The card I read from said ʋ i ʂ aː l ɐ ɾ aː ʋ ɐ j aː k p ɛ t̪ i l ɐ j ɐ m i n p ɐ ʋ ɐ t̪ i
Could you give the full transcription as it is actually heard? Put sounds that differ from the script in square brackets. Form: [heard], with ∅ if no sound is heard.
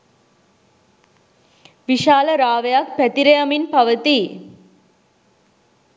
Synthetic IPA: ʋ i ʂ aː l ɐ ɾ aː ʋ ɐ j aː k p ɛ t̪ i [ɾ] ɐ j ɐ m i n p ɐ ʋ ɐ t̪ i